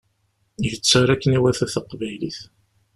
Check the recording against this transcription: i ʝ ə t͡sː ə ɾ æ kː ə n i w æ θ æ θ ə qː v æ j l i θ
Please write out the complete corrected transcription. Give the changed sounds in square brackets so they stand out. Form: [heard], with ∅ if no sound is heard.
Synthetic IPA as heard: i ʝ ə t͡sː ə ɾ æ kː ə n i w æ θ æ θ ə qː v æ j l i θ